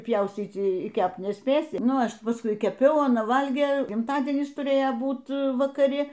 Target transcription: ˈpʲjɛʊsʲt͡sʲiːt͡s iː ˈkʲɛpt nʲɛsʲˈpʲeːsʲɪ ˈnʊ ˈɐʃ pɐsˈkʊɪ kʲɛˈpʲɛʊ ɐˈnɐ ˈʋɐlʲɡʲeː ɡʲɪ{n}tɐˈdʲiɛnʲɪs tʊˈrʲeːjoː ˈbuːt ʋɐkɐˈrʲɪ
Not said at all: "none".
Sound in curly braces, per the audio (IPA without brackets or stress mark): m